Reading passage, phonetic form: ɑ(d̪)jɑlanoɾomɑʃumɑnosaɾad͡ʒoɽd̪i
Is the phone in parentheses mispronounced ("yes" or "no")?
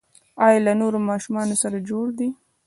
yes